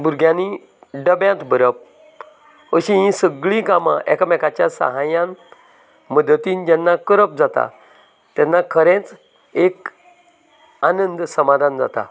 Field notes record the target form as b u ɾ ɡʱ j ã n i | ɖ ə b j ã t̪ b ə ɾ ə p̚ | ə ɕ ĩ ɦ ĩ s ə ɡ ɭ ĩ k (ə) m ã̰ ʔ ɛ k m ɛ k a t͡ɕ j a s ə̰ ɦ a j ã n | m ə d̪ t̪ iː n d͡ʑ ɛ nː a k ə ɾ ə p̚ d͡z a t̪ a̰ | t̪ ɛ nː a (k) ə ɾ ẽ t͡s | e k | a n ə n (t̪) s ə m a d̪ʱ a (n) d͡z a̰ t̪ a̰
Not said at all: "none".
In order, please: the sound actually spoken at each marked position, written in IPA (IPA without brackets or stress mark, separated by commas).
a, kʰ, d̪, n